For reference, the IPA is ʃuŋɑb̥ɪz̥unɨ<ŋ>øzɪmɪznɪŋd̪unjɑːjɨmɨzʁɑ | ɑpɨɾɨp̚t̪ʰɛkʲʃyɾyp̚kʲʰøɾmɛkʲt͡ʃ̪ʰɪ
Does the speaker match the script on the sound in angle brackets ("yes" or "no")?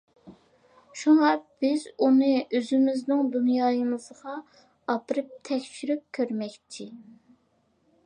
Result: no